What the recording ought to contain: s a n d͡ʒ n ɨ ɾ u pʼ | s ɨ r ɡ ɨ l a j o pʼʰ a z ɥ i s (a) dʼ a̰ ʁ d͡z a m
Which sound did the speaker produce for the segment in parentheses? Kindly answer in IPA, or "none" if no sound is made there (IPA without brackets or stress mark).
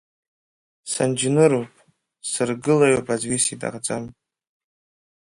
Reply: i